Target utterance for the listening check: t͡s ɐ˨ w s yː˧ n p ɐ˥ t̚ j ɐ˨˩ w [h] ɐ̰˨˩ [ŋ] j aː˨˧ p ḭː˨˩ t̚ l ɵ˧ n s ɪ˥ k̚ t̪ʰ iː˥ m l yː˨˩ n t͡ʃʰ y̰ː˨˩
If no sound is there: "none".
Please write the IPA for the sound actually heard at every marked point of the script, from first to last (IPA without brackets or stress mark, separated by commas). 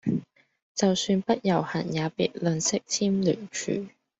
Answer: h, n